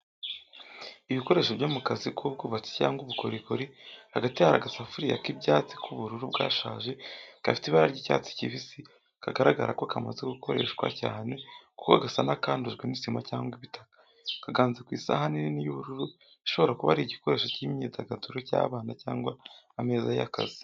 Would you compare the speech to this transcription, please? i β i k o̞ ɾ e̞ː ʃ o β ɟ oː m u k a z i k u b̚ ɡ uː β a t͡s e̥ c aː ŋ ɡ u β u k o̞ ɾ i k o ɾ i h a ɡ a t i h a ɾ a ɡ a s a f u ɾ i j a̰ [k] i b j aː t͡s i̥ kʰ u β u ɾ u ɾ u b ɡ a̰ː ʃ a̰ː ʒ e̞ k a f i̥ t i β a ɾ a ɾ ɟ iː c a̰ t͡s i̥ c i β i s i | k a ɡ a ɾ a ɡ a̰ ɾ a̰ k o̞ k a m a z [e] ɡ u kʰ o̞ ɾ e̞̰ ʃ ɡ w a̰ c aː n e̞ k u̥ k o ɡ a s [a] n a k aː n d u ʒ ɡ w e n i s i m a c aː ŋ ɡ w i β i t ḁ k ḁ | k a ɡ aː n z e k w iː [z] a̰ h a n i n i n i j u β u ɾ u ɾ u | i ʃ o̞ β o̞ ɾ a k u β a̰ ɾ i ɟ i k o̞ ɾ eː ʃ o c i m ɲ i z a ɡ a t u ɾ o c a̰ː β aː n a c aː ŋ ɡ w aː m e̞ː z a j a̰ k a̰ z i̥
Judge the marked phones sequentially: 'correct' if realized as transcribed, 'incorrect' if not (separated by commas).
correct, correct, correct, incorrect